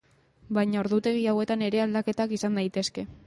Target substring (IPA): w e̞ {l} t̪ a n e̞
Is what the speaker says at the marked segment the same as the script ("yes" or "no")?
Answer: no